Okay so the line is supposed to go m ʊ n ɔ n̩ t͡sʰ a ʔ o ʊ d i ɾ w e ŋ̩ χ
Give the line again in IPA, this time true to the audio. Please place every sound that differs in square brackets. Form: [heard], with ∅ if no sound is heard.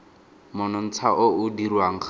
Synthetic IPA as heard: m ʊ n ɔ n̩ t͡sʰ a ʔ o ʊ d i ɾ w [a] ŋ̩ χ